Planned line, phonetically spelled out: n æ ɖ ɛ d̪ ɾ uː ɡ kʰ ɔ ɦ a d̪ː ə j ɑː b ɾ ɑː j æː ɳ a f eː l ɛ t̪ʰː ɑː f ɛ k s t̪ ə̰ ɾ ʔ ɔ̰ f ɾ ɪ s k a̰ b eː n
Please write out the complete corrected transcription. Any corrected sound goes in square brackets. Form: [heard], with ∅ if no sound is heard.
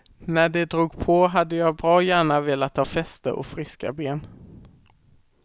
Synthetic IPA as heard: n æ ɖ ɛ d̪ ɾ uː ɡ [pʰ] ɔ ɦ a d̪ː ə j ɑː b ɾ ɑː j æː ɳ a [v] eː l [a] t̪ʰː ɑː f ɛ [∅] s t̪ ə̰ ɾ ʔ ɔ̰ f ɾ ɪ s k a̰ b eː n